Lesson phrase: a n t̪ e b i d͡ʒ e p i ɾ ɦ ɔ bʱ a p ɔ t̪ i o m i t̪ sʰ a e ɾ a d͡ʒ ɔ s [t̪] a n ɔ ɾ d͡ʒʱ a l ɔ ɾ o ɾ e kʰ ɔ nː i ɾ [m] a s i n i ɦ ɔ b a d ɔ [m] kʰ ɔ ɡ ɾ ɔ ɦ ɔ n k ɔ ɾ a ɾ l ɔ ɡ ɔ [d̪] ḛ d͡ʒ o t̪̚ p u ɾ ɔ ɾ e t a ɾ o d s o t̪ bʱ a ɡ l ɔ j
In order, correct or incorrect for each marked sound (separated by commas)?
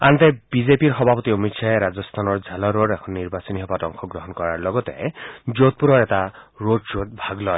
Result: incorrect, incorrect, incorrect, incorrect